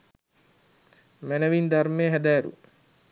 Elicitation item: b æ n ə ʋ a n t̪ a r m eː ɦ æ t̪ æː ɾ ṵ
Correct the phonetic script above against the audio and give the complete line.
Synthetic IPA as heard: m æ n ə ʋ i n d̪ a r m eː ɦ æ d̪ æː ɾ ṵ

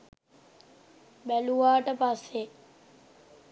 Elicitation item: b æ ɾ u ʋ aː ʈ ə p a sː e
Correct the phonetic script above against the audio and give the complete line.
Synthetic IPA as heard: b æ l u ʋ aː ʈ ə p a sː e

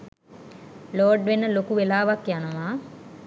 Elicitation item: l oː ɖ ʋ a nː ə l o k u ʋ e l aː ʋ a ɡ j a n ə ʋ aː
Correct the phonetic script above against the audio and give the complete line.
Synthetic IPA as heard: l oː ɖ ʋ e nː ə l o k u ʋ e l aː ʋ a k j a n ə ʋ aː

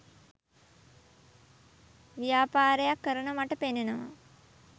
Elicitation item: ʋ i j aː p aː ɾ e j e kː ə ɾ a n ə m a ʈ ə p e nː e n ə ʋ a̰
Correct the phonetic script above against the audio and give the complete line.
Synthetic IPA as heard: ʋ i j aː p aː ɾ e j a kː ə ɾ ə n ə m a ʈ ə p e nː e n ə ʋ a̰

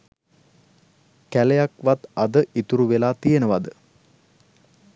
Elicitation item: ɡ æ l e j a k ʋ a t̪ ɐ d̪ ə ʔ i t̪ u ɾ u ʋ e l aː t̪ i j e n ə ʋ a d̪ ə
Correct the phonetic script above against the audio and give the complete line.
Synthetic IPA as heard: k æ l e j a k ʋ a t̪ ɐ d̪ ə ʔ i t̪ u ɾ u ʋ e l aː t̪ i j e n ə ʋ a d̪ ə

